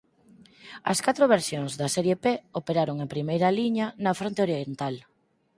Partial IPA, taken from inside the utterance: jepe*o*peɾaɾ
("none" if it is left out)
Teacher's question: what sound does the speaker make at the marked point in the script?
o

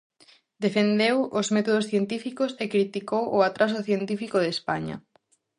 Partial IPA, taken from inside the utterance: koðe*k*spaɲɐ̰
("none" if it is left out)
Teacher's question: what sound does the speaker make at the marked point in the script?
none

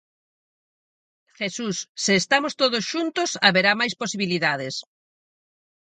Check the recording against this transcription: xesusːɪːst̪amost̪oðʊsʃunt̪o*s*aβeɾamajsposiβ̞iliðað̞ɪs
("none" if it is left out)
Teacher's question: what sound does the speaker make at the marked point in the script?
s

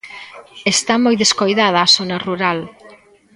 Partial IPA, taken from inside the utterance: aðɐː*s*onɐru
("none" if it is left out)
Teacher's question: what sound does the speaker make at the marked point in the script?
s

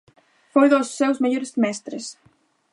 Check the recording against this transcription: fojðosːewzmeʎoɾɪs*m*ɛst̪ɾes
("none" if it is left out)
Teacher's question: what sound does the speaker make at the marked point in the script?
m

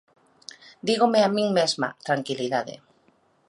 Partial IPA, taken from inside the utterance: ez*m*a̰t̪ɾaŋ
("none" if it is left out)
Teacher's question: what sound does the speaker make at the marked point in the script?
m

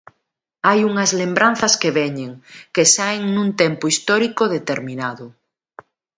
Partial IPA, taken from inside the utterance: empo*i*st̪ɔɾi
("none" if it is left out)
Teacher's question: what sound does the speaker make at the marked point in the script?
i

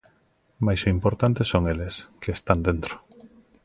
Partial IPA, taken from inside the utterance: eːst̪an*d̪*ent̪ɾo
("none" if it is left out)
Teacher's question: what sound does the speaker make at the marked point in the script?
d̪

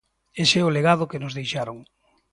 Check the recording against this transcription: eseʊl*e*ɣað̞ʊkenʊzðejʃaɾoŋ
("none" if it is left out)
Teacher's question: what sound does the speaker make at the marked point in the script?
e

